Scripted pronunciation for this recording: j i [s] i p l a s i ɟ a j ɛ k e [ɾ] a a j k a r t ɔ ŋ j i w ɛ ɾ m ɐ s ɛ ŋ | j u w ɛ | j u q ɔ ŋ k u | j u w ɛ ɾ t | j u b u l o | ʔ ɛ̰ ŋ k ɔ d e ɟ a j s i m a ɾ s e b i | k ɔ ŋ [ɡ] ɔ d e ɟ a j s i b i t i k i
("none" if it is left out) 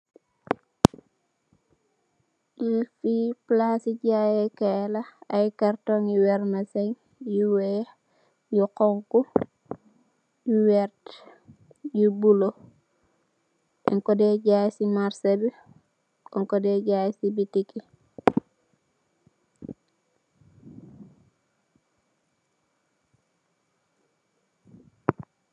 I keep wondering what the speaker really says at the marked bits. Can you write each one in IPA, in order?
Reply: f, l, k

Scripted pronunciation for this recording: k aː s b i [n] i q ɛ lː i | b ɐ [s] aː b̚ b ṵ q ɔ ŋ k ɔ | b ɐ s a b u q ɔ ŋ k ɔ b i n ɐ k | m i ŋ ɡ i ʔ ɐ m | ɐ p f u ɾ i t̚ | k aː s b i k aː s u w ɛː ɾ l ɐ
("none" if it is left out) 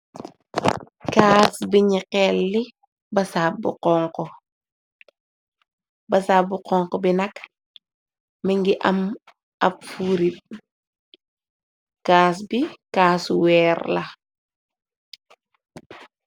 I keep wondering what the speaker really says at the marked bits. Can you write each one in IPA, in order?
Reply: ɲ, s

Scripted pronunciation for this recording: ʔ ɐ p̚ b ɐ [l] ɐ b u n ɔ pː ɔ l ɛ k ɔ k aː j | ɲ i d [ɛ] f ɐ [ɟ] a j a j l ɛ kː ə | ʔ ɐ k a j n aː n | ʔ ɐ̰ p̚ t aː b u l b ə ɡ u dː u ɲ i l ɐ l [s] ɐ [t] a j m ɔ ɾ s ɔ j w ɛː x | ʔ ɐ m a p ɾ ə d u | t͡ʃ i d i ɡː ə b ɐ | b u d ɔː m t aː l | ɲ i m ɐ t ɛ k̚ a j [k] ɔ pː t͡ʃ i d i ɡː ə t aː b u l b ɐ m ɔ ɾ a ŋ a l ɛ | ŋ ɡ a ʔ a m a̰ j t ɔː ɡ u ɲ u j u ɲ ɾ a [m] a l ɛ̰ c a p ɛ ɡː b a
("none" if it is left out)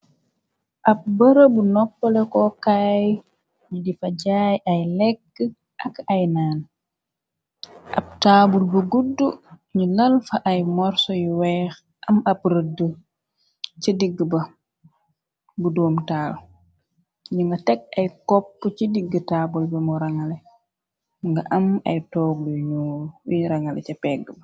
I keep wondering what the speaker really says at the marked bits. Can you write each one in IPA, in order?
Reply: ɾ, i, ɟ, f, ʔ, k, ŋ

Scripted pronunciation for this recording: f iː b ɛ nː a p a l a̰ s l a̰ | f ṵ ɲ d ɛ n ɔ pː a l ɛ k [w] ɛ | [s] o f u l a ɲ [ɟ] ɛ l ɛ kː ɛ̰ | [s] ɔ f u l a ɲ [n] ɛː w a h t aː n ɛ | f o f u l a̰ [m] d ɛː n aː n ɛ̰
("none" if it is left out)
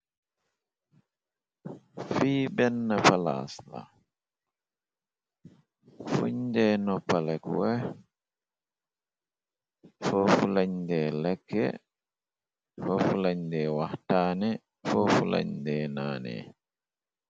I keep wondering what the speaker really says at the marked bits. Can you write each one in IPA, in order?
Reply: w, f, d, f, d, ɲ

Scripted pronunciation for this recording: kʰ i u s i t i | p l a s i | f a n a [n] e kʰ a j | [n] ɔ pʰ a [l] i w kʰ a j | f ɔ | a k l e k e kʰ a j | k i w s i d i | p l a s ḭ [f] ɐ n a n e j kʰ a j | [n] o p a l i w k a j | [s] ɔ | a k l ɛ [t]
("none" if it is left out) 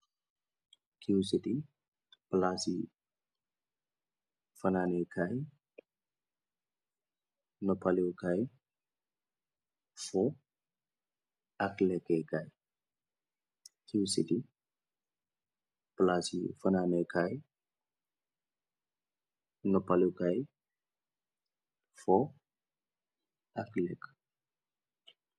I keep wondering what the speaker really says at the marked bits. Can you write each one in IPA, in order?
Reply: n, n, l, f, n, f, k

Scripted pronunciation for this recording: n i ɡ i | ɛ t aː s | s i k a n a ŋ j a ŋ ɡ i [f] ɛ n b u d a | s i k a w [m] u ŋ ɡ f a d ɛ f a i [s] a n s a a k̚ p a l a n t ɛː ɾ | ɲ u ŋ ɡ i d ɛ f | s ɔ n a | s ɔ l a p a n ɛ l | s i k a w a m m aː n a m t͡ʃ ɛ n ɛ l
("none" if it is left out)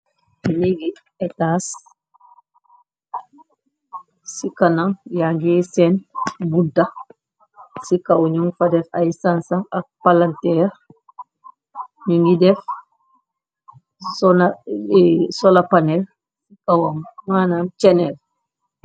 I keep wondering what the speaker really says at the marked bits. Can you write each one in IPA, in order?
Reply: s, ɲ, s

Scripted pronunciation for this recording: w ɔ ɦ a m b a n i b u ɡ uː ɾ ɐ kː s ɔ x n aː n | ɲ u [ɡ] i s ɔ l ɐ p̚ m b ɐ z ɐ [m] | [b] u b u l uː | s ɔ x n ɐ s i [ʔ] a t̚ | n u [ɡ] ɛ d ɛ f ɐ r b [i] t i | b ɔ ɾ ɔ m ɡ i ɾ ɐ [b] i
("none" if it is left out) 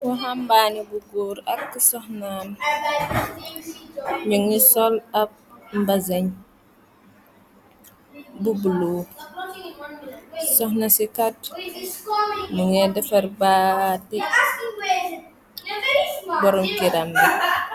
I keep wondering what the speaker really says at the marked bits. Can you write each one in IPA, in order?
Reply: ŋ, ɲ, b, k, ŋ, a, m

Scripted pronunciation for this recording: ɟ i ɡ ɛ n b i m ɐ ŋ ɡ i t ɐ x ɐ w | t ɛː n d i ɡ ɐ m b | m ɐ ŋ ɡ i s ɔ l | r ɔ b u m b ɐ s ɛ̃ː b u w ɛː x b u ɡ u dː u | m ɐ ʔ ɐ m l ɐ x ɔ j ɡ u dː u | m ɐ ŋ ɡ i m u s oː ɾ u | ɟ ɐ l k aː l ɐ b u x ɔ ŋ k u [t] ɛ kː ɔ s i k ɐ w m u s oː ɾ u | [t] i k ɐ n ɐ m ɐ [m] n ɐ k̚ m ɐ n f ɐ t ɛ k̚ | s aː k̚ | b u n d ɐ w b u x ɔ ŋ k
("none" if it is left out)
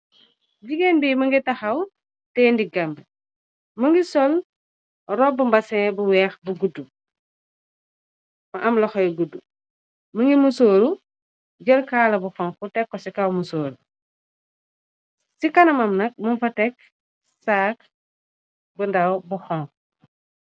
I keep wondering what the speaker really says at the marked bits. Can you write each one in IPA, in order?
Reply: t, s, m

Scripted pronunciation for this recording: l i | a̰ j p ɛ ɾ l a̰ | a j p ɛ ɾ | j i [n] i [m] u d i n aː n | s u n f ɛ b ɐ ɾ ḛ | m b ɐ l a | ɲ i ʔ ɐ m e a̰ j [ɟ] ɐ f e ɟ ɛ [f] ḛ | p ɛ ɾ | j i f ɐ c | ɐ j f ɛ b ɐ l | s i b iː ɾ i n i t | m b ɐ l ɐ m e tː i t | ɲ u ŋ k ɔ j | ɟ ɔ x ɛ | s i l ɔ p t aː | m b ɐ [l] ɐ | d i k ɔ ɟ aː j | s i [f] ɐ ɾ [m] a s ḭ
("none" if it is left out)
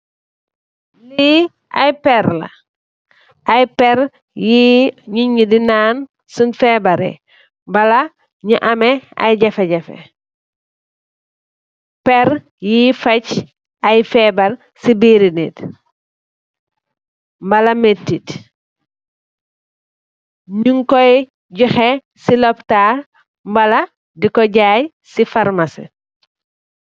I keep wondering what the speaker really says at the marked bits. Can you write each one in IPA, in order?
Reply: ɲ, ɲ, ɟ, f, l, f, m

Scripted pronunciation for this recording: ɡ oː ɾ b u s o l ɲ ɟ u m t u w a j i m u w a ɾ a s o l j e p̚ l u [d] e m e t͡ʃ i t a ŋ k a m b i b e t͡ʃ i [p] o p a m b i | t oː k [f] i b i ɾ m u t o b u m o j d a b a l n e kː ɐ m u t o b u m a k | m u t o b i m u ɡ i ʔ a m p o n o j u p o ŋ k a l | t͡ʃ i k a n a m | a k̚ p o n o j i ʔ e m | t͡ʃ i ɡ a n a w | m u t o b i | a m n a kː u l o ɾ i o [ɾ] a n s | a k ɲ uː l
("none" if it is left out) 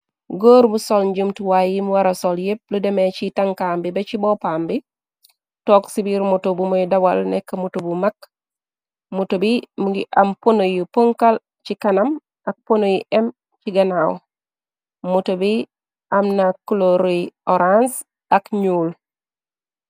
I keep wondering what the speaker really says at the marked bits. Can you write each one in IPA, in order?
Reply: d, b, s, ɾ

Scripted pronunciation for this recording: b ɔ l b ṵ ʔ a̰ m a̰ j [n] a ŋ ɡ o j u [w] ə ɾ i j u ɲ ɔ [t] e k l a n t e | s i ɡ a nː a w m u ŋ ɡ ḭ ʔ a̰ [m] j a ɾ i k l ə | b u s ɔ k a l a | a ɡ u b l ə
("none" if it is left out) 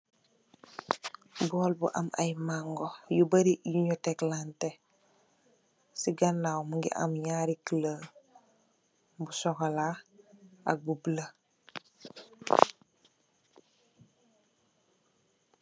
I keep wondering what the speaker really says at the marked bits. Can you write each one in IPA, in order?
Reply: m, b, t, m

